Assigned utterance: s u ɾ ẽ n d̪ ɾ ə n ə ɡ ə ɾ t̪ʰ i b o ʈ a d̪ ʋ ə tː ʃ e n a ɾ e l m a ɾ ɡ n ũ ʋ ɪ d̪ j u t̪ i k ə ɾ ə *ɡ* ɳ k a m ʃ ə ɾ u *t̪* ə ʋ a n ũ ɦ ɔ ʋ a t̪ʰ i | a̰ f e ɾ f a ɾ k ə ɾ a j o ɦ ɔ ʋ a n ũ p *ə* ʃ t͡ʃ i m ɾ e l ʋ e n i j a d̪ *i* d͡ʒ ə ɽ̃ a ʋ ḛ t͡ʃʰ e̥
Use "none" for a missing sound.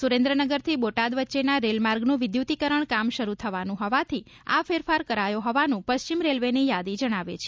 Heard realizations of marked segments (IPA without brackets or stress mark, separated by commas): none, t̪ʰ, ə, i